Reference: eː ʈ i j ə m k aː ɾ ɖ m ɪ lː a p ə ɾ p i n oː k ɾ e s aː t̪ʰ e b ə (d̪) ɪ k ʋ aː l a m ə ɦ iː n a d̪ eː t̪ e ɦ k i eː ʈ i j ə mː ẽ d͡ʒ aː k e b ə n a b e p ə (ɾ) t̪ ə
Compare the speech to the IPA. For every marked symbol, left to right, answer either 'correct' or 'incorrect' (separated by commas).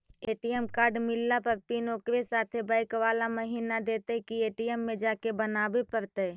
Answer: incorrect, correct